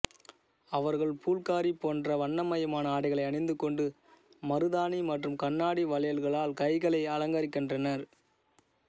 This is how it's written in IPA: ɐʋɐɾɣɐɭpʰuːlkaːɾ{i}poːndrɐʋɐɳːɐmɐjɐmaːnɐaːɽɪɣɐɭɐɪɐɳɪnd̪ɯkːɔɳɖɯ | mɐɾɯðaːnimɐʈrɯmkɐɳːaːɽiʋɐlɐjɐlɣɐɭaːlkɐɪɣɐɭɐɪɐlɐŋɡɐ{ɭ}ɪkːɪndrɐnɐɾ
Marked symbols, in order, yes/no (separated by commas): yes, no